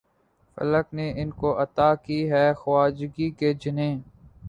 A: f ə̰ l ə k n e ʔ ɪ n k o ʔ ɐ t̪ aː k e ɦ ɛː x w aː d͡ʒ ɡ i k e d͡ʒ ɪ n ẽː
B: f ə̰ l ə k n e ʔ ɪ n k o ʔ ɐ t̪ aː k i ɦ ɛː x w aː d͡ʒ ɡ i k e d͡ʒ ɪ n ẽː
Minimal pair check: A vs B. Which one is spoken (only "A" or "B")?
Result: B